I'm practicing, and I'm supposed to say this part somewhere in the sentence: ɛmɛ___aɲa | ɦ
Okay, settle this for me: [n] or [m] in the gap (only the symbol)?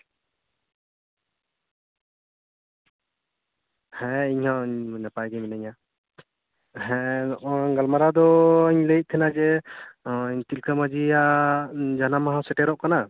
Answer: n